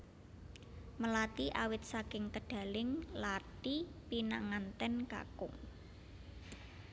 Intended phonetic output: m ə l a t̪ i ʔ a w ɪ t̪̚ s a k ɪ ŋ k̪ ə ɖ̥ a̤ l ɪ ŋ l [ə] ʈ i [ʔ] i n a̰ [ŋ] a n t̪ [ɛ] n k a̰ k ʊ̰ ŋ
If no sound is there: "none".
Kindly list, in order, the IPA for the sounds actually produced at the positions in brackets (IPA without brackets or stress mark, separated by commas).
a, p, ŋ, ɛ